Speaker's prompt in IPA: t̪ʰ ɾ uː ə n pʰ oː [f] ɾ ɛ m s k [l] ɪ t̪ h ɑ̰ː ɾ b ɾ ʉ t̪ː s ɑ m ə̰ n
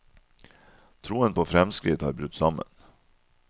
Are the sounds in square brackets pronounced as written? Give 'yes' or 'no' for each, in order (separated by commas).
yes, no